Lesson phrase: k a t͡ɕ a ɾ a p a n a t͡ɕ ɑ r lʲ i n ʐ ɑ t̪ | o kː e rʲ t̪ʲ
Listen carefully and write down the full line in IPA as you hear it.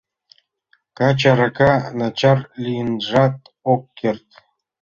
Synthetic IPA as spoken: k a t͡ɕ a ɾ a k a n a t͡ɕ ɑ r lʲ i n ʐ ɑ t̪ | o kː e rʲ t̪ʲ